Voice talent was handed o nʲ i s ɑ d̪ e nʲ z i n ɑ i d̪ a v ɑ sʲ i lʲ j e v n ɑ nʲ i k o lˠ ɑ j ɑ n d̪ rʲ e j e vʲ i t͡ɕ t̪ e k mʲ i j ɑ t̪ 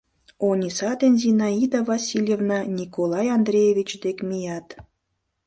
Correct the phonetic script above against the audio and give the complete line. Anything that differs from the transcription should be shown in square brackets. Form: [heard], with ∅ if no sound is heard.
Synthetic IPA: o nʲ i s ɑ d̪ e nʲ z i n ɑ i d̪ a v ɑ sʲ i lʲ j e v n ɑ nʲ i k o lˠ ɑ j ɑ n d̪ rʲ e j e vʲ i t͡ɕ [d̪] e k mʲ i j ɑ t̪